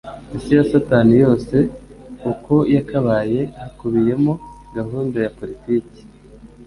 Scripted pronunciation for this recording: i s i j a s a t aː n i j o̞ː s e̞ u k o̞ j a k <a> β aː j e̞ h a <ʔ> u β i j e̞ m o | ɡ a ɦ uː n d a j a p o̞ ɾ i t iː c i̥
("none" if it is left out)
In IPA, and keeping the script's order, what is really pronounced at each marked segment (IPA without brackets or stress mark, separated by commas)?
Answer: a, k